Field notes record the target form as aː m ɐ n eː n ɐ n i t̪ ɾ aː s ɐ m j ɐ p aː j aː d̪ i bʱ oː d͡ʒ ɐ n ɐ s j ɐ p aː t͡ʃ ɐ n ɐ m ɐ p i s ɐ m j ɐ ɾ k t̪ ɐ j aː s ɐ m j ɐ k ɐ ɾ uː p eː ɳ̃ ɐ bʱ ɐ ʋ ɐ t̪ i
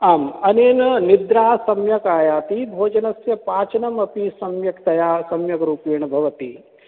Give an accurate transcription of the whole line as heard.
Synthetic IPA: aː m ɐ n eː n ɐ n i d̪ ɾ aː s ɐ m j ɐ k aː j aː t̪ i bʱ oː d͡ʒ ɐ n ɐ s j ɐ p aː t͡ʃ ɐ n ɐ m ɐ p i s ɐ m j ɐ k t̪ ɐ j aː s ɐ m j ɐ k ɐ ɾ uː p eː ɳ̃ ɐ bʱ ɐ ʋ ɐ t̪ i